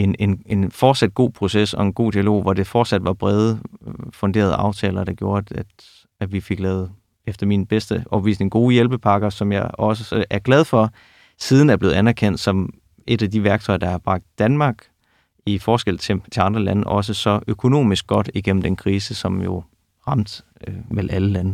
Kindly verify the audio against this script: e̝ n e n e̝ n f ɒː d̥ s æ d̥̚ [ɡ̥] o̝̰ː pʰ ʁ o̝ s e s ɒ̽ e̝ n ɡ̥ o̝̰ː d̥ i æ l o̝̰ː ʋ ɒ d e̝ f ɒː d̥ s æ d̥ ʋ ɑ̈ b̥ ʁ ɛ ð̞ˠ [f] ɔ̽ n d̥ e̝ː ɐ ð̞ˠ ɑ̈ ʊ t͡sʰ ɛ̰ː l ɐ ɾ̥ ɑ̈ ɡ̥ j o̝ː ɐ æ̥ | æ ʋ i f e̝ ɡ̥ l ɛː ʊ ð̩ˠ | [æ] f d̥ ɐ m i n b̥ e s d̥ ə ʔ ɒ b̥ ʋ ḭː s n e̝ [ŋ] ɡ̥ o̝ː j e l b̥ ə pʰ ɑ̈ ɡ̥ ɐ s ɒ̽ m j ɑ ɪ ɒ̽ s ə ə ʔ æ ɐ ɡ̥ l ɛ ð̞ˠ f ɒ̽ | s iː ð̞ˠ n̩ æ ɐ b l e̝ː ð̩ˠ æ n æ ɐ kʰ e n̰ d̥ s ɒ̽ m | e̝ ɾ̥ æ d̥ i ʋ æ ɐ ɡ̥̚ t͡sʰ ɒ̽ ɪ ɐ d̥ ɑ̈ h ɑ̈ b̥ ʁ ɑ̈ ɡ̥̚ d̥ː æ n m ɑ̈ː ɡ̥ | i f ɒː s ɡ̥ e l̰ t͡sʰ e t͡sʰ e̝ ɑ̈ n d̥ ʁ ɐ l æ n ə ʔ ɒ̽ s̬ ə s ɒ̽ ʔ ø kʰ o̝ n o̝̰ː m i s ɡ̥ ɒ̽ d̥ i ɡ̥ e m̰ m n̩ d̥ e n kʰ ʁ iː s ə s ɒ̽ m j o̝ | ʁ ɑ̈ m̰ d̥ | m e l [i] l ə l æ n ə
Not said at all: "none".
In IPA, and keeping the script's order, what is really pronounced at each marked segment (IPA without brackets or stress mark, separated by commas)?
ɡ̥, f, e, ŋ, æ